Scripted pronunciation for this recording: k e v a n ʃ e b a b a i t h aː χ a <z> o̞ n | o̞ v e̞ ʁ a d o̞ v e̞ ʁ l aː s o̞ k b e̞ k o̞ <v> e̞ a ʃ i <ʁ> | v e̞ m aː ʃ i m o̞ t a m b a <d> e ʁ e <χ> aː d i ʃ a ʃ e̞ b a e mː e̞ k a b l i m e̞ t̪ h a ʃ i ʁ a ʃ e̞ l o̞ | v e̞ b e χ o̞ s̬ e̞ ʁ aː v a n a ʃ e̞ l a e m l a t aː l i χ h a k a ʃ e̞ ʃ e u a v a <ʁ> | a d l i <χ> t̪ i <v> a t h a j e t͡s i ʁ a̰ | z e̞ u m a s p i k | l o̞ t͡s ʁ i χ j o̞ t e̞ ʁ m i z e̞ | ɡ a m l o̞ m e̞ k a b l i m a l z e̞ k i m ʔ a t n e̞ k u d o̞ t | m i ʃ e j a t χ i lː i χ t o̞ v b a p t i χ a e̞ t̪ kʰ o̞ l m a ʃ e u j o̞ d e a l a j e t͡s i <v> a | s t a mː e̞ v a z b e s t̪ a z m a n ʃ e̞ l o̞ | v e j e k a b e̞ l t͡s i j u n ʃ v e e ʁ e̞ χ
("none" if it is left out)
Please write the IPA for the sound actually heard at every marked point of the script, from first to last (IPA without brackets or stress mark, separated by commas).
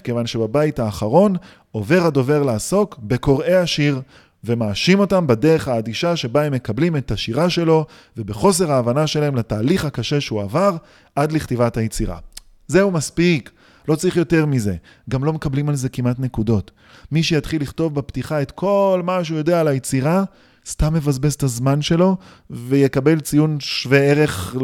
ʁ, ʁ, ʁ, d, χ, ʁ, χ, v, ʁ